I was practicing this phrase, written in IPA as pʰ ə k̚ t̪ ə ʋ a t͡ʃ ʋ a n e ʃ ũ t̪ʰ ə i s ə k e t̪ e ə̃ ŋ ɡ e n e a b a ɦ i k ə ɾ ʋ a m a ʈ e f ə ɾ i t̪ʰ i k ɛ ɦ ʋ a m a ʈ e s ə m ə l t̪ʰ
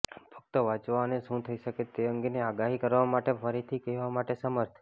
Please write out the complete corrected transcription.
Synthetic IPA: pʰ ə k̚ t̪ ə ʋ a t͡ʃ ʋ a n e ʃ ũ t̪ʰ ə i ʃ ə k e t̪ e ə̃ ŋ ɡ e n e a ɡ a ɦ i k ə ɾ ʋ a m a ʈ e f ə ɾ i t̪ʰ i k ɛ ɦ ʋ a m a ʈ e s ə m ə ɾ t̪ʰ

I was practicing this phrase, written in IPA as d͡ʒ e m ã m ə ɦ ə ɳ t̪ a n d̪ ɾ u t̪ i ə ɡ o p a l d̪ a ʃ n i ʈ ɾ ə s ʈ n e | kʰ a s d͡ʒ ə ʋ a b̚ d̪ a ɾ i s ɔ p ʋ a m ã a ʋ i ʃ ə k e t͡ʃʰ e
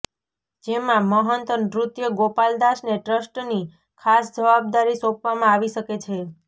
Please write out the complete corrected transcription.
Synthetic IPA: d͡ʒ e m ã m ə ɦ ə n t̪ ə n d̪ ɾ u t̪ j ə ɡ o p a l d̪ a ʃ n e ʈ ɾ ə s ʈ n i | kʰ a s d͡ʒ ə ʋ a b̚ d̪ a ɾ i s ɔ p ʋ a m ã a ʋ i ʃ ə k e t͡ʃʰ e

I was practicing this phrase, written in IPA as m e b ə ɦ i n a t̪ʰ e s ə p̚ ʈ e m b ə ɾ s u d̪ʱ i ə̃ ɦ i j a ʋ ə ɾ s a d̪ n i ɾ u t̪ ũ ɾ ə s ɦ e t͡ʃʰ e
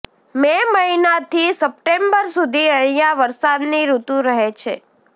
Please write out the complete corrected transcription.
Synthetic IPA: m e m ə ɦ i n a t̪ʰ i s ə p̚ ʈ e m b ə ɾ s u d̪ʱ i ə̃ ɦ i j a ʋ ə ɾ s a d̪ n i ɾ u t̪ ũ ɾ ə ɦ e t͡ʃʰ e

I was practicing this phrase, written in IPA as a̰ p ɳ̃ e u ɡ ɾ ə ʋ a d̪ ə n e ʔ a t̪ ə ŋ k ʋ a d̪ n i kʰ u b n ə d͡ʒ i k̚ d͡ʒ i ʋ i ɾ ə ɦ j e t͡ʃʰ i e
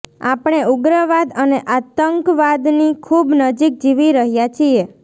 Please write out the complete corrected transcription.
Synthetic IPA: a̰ p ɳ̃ e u ɡ ɾ ə ʋ a d̪ ə n e ʔ a t̪ ə ŋ k ʋ a d̪ n i kʰ u b n ə d͡ʒ i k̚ d͡ʒ i ʋ i ɾ ə ɦ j a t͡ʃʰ i e

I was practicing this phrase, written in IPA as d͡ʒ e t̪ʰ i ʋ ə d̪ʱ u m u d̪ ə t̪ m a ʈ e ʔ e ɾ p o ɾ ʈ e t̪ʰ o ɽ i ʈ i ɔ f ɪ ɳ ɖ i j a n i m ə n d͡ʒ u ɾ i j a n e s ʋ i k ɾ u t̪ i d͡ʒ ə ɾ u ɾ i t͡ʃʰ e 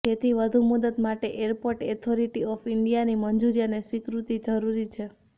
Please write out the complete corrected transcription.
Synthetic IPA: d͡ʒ e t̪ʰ i ʋ ə d̪ʱ u m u d̪ ə t̪ m a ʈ e ʔ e ɾ p o ɾ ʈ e t̪ʰ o ɾ i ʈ i ɔ f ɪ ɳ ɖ i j a n i m ə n d͡ʒ u ɾ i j a n e s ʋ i k ɾ u t̪ i d͡ʒ ə ɾ u ɾ i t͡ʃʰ e

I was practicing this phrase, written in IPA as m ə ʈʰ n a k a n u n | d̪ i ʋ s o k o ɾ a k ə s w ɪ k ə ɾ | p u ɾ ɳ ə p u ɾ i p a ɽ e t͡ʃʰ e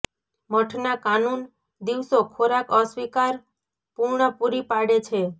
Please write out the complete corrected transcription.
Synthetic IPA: m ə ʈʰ n a k a n u n | d̪ i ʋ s o kʰ o ɾ a k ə s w i k a ɾ | p u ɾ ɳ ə p u ɾ i p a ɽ e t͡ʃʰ e

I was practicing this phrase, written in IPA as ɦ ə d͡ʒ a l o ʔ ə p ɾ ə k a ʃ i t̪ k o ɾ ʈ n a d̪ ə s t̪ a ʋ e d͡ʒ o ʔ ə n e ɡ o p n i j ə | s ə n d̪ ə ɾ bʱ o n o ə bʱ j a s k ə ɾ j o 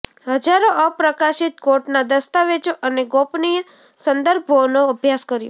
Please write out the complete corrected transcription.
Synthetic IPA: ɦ ə d͡ʒ a ɾ o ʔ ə p ɾ ə k a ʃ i t̪ k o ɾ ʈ n a d̪ ə s t̪ a ʋ e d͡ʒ o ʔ ə n e ɡ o p n i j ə | s ə n d̪ ə ɾ bʱ o n o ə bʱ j a s k ə ɾ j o

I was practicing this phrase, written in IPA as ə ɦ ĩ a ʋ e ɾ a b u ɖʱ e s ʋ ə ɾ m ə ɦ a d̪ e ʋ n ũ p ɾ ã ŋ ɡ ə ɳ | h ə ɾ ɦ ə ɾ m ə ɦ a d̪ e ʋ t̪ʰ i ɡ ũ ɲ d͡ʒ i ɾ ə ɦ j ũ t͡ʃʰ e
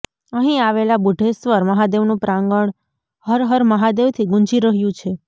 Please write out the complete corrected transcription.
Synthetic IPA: ə ɦ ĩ a ʋ e l a b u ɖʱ e s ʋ ə ɾ m ə ɦ a d̪ e ʋ n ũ p ɾ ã ŋ ɡ ə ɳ | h ə ɾ ɦ ə ɾ m ə ɦ a d̪ e ʋ t̪ʰ i ɡ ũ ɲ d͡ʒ i ɾ ə ɦ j ũ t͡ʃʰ e

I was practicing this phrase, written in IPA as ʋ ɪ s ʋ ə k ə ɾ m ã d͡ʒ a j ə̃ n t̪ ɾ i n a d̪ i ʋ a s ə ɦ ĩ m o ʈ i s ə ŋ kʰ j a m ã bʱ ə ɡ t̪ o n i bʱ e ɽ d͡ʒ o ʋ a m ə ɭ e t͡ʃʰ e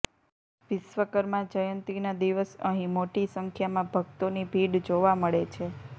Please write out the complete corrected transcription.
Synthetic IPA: ʋ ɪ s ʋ ə k ə ɾ m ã d͡ʒ ə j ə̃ n t̪ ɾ i n a d̪ i ʋ ə s ə ɦ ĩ m o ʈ i s ə ŋ kʰ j a m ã bʱ ə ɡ t̪ o n i bʱ i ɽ d͡ʒ o ʋ a m ə ɭ e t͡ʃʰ e

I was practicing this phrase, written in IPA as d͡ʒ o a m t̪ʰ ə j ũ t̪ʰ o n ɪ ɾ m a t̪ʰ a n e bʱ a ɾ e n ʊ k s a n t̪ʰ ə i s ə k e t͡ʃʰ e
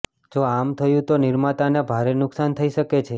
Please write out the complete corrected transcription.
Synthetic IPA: d͡ʒ o a m t̪ʰ ə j ũ t̪ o n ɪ ɾ m a t̪ a n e bʱ a ɾ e n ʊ k s a n t̪ʰ ə i ʃ ə k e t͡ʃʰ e

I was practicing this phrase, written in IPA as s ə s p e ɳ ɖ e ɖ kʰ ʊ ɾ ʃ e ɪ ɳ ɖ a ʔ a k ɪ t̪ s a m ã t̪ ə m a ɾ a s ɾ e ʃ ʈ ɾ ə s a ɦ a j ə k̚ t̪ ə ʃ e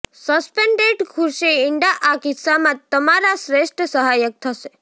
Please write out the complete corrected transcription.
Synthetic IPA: s ə s p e ɳ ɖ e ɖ kʰ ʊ ɾ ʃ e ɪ ɳ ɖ a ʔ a k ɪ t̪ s a m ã t̪ ə m a ɾ a s ɾ e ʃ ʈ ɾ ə s ə ɦ a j ə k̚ t̪ʰ ə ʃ e

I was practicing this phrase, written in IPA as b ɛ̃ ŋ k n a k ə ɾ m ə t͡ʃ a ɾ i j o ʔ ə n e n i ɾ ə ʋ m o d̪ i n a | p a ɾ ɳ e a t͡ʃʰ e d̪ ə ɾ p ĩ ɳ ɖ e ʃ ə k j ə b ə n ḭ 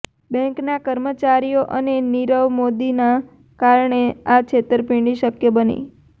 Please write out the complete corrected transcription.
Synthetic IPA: b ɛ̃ ŋ k n a k ə ɾ m ə t͡ʃ a ɾ i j o ʔ ə n e n i ɾ ə ʋ m o d̪ i n a | k a ɾ ɳ e a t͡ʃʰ e t̪ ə ɾ p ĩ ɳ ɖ i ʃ ə k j ə b ə n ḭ

